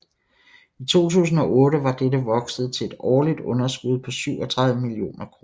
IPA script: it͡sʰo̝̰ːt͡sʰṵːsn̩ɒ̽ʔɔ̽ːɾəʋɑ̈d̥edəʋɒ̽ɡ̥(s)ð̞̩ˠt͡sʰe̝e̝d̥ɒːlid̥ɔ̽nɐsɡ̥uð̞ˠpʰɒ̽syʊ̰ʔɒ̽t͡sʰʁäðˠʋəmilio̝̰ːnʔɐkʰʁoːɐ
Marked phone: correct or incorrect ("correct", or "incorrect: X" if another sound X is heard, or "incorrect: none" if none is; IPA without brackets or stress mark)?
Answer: correct